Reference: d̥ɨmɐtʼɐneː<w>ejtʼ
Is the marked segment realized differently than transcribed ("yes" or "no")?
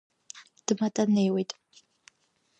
no